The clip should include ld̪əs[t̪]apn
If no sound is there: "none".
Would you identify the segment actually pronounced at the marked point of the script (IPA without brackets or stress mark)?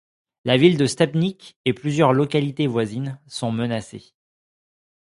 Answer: t̪